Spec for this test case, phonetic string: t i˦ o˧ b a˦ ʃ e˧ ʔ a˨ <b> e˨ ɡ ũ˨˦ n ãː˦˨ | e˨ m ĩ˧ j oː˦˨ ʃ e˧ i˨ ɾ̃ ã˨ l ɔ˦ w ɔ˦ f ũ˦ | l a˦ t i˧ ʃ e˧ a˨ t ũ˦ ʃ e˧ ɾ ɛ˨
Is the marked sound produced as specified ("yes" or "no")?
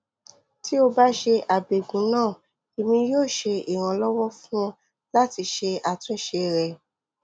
yes